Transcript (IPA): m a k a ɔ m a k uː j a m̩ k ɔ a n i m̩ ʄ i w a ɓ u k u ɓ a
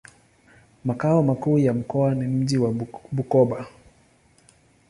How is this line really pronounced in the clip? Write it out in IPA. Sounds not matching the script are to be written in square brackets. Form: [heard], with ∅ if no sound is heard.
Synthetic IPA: m a k a ɔ m a k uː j a m̩ k ɔ a n i m̩ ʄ i w a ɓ u k [ɔ] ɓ a